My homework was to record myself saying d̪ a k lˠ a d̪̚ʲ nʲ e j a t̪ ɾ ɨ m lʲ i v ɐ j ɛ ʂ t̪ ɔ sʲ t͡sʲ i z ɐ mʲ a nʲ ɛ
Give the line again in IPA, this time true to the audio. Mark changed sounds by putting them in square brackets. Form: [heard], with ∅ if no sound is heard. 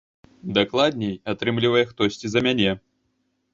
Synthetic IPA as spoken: d̪ a k lˠ a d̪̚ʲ nʲ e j a t̪ ɾ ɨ m lʲ i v ɐ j ɛ [x] t̪ ɔ sʲ t͡sʲ i z ɐ mʲ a nʲ ɛ